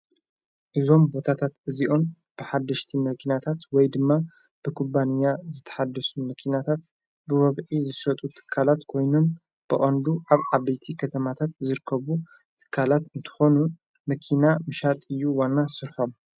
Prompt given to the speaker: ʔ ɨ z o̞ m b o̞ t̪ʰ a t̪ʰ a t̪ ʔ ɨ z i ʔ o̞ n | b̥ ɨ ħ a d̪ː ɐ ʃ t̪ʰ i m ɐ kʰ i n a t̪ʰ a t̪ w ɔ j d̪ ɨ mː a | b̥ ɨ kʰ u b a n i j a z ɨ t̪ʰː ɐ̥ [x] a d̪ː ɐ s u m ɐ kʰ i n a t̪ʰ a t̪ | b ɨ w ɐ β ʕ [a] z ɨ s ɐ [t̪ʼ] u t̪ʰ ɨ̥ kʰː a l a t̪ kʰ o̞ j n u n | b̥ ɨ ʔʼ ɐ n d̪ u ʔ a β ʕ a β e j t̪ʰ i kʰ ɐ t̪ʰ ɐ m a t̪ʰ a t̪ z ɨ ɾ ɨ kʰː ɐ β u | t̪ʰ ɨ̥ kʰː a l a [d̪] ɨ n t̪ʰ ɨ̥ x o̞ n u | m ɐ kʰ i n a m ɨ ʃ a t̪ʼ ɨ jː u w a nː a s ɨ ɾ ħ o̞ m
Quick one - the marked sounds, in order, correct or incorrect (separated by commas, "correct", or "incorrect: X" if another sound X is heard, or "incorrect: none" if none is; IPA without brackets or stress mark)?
incorrect: ħ, incorrect: i, correct, incorrect: t̪